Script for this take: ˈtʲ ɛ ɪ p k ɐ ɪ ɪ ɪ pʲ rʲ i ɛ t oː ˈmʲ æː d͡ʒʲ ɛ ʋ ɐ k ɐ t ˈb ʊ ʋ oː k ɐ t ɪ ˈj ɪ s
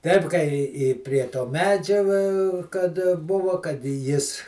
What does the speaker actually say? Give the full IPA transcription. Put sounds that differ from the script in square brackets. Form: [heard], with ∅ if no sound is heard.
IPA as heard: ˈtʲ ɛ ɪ p k ɐ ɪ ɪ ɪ pʲ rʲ i ɛ t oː ˈmʲ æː d͡ʒʲ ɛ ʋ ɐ k ɐ t ˈb ʊ ʋ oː k ɐ t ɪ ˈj ɪ s